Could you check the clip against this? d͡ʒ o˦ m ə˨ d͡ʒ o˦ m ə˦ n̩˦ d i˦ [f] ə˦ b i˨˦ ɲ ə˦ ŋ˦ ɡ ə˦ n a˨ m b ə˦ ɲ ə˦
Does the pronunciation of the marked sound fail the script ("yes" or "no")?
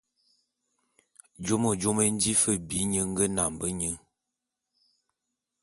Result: no